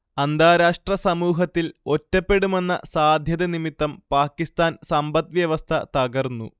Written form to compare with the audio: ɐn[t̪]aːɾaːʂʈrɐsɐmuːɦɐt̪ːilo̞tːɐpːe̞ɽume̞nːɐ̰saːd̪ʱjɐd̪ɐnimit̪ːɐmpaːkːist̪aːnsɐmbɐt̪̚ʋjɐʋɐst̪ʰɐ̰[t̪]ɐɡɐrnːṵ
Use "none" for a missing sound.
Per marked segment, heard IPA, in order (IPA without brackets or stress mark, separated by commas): d̪, t̪